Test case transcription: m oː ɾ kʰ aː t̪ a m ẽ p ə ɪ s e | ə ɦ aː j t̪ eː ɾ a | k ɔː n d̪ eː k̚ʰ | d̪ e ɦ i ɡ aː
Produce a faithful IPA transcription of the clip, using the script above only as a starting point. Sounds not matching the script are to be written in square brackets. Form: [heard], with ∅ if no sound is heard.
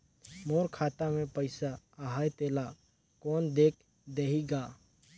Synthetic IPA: m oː ɾ kʰ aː t̪ a m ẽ p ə ɪ s [a] | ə ɦ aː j t̪ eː [l] a | k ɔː n d̪ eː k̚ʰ | d̪ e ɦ i ɡ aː